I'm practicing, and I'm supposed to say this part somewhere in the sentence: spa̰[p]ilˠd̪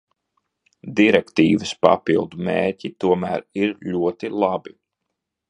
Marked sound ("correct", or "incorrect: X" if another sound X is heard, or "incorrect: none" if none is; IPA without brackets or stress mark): correct